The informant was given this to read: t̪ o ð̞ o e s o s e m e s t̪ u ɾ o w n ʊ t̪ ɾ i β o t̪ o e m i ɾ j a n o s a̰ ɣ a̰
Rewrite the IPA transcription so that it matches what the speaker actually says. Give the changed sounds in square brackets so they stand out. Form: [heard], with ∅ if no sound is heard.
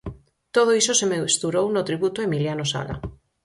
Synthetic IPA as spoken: t̪ o ð̞ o [i] s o s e m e s t̪ u ɾ o w n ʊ t̪ ɾ i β [u] t̪ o e m i [l] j a n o s a̰ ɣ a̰